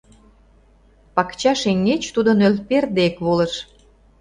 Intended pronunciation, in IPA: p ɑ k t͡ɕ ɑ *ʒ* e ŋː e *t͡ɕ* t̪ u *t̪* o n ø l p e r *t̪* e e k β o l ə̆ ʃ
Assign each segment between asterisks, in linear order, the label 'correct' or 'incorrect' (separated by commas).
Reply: incorrect, correct, incorrect, incorrect